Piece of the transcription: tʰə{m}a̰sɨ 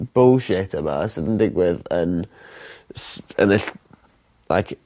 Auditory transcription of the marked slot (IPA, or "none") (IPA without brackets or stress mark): m